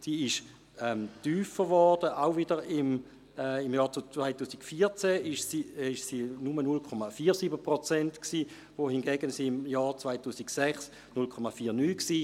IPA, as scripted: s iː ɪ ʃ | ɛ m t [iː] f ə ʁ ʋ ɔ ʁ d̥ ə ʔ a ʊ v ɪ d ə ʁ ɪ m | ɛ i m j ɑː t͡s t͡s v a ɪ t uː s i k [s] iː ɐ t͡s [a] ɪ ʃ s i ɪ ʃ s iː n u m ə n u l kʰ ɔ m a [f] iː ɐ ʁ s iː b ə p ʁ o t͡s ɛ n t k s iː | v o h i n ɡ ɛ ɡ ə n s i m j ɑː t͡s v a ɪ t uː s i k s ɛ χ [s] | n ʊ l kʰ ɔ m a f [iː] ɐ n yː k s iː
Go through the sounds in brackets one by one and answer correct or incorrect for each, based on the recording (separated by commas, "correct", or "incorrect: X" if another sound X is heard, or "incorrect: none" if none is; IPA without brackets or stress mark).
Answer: incorrect: yː, incorrect: f, incorrect: ɛ, correct, correct, correct